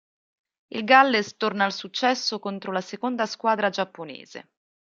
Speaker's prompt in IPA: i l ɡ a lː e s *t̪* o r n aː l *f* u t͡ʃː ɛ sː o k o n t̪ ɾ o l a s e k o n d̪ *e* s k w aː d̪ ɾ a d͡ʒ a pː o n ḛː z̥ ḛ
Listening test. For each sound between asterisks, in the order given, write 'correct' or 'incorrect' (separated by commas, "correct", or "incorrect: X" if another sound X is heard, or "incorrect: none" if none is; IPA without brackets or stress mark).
correct, incorrect: s, incorrect: a